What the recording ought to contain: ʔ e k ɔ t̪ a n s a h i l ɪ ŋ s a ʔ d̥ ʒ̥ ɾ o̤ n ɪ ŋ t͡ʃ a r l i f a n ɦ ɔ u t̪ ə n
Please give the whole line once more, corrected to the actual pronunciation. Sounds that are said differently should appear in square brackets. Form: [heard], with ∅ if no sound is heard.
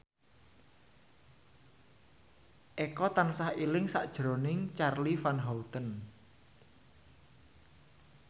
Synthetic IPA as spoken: ʔ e k ɔ t̪ a n s a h i l ɪ ŋ s a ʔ d̥ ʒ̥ ɾ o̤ n ɪ ŋ t͡ʃ a r l i f a n ɦ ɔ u t̪ ə n